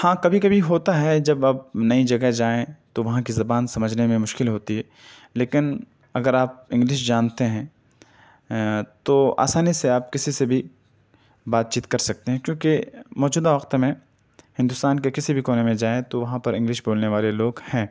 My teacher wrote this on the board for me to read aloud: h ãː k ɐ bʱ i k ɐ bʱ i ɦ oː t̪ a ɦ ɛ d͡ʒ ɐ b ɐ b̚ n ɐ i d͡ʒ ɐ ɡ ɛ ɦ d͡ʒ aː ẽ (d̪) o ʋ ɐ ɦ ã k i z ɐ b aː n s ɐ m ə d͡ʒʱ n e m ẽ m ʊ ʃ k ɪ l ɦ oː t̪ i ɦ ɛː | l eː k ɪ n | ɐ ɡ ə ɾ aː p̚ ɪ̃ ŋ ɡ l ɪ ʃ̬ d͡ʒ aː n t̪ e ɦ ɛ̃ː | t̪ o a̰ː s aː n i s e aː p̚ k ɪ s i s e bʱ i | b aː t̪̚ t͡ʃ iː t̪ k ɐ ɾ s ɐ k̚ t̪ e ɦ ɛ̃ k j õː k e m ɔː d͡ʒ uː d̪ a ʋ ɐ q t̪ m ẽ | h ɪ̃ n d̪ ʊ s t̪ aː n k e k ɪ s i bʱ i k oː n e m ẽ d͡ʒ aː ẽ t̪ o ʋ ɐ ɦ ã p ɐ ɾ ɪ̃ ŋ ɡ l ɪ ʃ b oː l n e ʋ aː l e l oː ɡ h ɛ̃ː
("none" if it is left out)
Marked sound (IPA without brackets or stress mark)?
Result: t̪